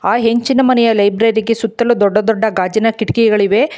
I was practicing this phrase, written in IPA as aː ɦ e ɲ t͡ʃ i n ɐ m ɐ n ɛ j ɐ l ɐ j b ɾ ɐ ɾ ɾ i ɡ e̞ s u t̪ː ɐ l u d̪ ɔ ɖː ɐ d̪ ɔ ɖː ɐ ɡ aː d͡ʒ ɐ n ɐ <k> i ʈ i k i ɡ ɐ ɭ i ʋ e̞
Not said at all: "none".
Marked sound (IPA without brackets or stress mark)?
k